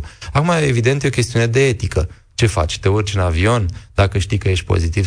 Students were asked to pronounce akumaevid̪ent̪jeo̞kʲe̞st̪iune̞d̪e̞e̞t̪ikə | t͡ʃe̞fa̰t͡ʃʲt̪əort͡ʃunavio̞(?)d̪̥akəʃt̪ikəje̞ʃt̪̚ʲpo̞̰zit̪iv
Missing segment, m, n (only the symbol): n